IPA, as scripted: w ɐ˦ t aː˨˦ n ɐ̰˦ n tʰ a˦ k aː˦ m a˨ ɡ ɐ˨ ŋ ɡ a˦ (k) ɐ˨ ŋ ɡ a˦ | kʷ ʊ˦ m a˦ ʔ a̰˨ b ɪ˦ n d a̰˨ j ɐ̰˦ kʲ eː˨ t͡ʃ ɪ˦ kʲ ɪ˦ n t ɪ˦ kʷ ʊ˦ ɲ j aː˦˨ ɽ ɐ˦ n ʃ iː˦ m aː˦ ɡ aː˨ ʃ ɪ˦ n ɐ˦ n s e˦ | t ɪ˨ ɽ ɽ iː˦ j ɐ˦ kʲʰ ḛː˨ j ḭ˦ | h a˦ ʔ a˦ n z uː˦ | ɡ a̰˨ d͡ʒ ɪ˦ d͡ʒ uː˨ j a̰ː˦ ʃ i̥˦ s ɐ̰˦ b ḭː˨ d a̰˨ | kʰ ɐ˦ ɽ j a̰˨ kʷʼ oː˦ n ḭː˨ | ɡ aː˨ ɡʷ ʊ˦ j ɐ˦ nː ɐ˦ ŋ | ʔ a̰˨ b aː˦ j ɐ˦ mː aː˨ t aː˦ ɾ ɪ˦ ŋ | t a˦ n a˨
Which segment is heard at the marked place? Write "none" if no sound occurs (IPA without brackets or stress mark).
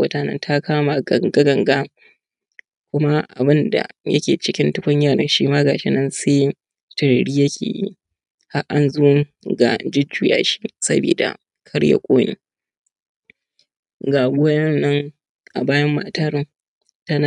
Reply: ɡ